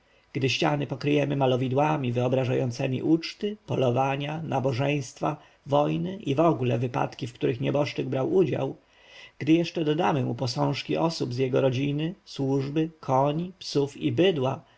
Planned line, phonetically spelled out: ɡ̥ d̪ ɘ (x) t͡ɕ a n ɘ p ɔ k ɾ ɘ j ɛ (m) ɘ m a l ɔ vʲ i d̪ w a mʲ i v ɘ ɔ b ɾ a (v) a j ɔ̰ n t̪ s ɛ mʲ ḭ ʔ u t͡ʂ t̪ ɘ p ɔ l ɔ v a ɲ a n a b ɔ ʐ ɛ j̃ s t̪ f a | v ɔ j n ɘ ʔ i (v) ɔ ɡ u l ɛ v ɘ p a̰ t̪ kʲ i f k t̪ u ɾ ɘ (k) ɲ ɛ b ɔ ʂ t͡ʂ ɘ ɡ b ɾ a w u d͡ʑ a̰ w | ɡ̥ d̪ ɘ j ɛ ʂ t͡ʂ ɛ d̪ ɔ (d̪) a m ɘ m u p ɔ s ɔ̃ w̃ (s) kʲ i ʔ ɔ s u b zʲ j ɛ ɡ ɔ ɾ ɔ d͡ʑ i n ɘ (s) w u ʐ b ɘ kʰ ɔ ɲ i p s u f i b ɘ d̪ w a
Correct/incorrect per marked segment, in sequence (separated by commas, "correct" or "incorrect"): incorrect, correct, incorrect, correct, incorrect, correct, incorrect, correct